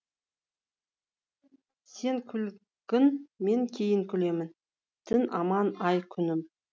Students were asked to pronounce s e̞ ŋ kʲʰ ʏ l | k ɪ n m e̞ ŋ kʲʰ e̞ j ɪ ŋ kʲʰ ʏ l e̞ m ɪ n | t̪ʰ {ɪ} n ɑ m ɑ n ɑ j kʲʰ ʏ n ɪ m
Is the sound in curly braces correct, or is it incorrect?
correct